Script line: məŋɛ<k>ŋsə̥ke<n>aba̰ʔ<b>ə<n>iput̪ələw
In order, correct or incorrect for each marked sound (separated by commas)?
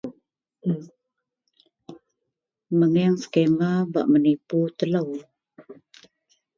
incorrect, incorrect, incorrect, correct